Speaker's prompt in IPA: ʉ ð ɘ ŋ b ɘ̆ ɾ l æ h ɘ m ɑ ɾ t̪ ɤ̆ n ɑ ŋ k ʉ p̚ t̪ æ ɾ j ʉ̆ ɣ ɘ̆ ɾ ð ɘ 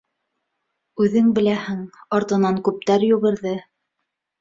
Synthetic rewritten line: ʉ ð ɘ ŋ b ɘ̆ l æ h ɘ ŋ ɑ ɾ t̪ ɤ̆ n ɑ ŋ k ʉ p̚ t̪ æ ɾ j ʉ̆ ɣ ɘ̆ ɾ ð ɘ